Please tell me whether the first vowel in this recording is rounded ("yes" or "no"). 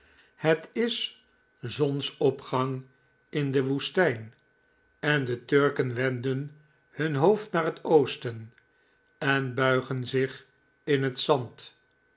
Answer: no